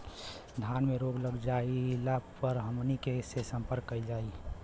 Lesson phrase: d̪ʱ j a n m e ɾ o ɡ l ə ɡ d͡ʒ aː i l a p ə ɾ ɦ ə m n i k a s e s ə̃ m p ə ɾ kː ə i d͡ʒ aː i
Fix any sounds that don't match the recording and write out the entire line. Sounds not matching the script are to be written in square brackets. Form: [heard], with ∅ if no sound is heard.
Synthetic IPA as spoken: d̪ʱ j a n m e ɾ o ɡ l ə ɡ d͡ʒ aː i l a p ə ɾ ɦ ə m n i k [e] s e s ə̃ m p ə ɾ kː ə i d͡ʒ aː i